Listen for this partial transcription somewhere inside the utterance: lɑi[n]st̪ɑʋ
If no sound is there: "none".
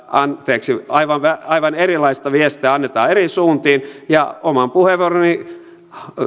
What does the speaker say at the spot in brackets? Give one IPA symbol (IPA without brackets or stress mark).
none